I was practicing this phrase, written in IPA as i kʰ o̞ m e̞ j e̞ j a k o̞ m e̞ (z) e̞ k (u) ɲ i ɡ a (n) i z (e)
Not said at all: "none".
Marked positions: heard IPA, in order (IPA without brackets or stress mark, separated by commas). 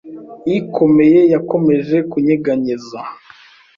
ʒ, u, ɲ, a